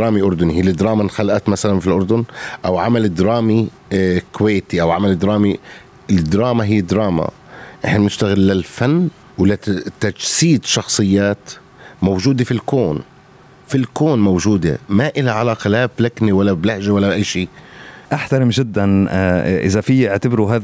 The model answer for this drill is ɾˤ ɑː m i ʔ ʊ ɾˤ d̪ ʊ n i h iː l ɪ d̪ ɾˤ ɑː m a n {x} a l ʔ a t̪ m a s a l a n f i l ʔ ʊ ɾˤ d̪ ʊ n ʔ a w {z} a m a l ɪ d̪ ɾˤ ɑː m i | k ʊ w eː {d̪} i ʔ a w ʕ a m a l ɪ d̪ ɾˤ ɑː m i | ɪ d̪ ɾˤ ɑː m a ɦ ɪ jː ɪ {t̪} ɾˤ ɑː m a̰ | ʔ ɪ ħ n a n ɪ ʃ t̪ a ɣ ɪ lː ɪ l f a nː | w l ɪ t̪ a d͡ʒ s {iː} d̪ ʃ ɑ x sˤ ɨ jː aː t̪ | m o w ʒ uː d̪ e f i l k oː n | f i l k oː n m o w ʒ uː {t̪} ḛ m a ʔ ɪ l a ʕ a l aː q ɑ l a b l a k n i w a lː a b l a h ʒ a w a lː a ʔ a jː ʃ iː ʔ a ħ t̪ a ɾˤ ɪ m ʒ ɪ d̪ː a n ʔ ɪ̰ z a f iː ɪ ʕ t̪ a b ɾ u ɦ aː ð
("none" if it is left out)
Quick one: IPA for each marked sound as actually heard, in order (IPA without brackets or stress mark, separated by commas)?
x, ʕ, t̪, d̪, iː, d̪